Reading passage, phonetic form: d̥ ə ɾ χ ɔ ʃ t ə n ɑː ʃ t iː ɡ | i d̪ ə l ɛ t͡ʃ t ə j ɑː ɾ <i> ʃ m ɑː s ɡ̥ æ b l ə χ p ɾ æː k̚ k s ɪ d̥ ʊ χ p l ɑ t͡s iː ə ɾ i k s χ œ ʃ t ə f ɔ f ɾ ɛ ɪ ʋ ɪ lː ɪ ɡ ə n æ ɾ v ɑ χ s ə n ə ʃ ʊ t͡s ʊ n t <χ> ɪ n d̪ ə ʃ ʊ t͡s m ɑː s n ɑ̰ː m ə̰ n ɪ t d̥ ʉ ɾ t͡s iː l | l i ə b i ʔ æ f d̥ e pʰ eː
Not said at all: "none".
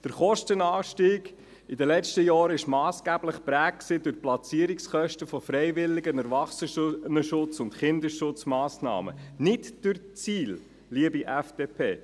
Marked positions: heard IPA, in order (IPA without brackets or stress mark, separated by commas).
ɪ, χ